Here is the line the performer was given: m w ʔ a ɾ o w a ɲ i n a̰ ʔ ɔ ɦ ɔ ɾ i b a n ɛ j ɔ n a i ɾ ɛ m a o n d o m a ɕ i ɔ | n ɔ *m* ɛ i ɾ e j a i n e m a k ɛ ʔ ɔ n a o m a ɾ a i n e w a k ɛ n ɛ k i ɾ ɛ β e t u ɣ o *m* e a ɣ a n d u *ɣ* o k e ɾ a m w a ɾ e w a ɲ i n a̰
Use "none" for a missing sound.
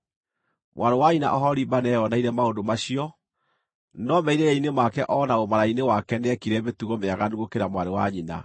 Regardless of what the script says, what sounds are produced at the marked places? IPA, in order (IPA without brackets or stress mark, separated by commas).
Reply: m, m, ɣ